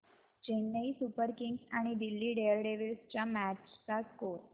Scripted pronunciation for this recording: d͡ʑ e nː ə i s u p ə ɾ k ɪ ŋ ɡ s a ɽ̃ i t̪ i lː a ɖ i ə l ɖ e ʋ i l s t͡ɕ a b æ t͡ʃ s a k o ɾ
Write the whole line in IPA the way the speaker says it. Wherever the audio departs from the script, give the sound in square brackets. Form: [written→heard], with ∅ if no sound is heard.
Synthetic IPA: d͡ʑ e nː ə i s u p ə ɾ k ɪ ŋ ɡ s a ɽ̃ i [t̪→d̪] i lː [a→i] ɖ [i→e] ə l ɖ e ʋ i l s t͡ɕ a [b→m] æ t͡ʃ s a k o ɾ